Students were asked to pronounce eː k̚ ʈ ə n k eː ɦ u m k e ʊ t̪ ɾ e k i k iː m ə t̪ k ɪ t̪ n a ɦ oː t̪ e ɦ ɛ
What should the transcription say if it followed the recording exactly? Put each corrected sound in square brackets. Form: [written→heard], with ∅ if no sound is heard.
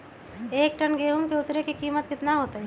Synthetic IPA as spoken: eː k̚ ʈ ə n [k→ɡ] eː ɦ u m k e ʊ t̪ ɾ e k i k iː m ə t̪ k ɪ t̪ n a ɦ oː t̪ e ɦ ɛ